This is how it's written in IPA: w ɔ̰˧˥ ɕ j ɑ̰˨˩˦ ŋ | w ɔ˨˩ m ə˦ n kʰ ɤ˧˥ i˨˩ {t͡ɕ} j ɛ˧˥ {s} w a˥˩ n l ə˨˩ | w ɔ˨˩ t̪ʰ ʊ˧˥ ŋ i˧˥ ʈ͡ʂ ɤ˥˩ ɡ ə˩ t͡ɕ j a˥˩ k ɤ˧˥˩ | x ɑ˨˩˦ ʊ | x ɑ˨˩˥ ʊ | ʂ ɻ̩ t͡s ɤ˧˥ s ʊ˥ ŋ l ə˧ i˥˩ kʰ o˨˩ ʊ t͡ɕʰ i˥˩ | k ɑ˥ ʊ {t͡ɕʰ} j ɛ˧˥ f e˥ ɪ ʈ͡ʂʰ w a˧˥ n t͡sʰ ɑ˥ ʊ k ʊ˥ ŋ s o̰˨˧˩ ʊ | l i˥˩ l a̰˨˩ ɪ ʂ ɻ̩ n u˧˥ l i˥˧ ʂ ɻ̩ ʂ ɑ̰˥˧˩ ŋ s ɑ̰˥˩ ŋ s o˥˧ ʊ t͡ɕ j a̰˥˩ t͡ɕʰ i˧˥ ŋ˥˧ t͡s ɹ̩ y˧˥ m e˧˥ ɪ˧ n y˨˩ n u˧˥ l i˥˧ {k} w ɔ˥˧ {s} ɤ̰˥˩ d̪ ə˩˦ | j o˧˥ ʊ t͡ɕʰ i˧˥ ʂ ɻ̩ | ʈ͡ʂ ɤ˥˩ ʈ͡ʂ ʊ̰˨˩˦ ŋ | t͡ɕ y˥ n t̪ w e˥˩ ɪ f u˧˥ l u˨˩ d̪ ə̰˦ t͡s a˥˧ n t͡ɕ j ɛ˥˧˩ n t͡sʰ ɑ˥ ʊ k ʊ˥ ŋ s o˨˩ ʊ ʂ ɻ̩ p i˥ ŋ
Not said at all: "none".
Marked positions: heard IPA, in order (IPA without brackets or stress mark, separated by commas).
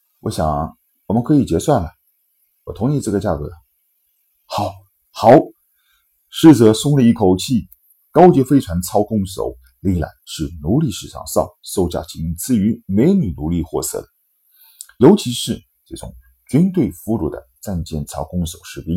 t͡ɕ, s, t͡ɕ, x, s